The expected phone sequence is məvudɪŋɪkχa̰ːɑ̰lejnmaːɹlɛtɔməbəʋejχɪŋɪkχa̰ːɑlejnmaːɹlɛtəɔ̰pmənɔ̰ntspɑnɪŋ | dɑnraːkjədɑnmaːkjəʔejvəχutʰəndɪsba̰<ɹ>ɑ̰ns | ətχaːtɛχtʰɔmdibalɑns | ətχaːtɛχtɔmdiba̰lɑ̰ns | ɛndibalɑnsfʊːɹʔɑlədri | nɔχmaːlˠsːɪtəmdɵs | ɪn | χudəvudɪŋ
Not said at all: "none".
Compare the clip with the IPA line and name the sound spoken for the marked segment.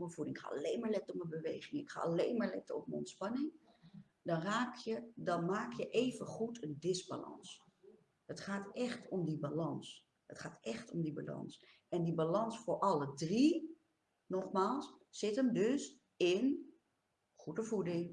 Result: l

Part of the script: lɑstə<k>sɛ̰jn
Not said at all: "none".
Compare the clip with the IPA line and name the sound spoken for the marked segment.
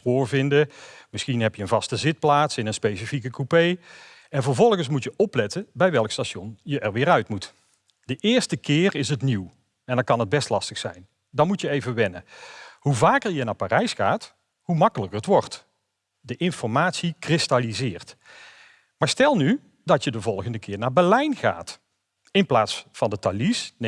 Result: x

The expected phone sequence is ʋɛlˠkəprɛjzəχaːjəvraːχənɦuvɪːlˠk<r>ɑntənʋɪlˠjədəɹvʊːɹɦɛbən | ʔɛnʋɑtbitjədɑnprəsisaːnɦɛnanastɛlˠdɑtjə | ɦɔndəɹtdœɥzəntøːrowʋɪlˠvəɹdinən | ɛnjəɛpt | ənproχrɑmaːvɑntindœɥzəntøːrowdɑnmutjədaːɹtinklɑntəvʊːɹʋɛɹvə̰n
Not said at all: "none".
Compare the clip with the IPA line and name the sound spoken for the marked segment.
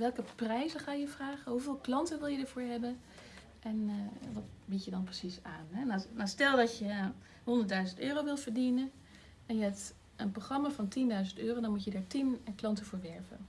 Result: l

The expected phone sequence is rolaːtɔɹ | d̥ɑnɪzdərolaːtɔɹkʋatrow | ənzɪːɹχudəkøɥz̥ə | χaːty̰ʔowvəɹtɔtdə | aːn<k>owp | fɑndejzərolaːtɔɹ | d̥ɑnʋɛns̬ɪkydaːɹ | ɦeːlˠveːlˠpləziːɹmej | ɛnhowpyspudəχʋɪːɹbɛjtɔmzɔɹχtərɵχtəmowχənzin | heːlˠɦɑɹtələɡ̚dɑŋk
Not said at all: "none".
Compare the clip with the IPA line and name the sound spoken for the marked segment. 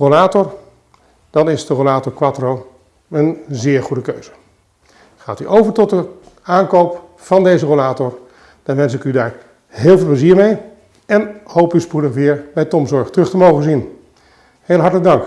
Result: k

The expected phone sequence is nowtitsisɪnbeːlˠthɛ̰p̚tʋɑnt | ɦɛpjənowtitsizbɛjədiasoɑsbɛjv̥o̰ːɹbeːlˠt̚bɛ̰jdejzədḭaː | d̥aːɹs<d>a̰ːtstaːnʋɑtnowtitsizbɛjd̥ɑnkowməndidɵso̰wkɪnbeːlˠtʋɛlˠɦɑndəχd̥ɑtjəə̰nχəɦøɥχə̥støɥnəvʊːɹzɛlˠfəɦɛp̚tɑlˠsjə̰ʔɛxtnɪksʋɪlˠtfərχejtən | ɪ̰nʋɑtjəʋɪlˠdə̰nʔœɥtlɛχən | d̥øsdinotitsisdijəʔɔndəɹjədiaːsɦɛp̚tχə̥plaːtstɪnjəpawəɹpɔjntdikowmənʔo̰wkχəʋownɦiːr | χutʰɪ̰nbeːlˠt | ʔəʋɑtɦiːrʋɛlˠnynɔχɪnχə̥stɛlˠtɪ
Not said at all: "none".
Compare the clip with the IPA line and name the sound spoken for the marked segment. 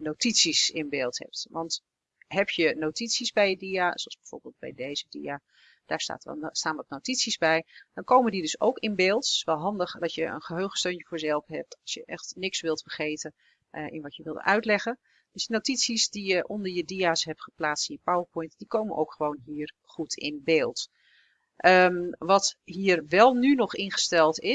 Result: t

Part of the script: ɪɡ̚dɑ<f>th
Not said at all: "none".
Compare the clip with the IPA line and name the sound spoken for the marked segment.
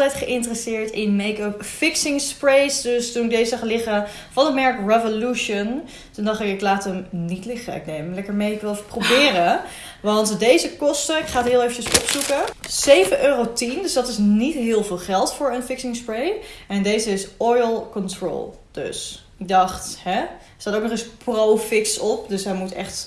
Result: χ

